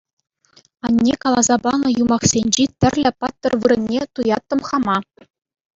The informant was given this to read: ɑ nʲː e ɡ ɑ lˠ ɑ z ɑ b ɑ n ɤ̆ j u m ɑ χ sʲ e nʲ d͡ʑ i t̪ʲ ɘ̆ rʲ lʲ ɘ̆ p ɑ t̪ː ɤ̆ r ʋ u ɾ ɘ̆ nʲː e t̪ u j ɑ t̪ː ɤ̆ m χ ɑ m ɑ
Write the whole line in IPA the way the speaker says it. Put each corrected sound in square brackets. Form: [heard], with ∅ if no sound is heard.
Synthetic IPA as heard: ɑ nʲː e [k] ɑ lˠ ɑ z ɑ b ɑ n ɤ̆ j u m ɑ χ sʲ e nʲ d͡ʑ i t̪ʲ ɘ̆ rʲ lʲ ɘ̆ p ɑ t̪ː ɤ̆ r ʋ [ɯ] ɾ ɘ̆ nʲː e t̪ u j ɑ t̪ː ɤ̆ m χ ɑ m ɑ